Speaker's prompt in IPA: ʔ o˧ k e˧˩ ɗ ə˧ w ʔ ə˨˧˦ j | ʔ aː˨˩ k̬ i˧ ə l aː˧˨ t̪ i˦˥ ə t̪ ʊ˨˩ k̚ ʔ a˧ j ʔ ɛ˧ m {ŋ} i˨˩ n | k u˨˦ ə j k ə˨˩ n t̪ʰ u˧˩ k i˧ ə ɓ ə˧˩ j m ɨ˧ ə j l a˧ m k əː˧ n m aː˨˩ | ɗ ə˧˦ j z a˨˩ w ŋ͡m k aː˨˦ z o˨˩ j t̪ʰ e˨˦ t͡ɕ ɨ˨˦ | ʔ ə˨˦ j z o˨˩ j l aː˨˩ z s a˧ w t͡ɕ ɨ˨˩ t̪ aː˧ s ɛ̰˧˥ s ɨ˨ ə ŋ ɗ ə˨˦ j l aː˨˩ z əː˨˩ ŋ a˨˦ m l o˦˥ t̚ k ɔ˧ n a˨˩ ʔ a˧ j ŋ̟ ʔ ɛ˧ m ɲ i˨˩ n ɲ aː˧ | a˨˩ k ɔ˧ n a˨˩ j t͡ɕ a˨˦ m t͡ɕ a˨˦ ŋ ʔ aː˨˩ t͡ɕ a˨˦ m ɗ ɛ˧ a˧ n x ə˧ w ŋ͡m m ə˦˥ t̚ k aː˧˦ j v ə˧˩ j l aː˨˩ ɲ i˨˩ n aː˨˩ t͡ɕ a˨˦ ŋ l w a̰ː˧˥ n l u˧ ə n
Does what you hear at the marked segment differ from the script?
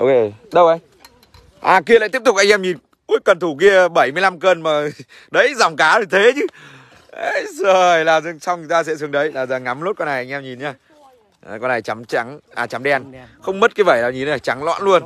yes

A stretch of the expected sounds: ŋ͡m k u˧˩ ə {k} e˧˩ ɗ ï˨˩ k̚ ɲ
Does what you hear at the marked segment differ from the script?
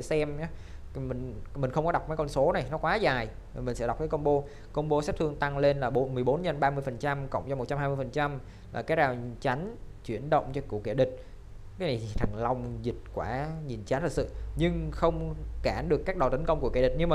no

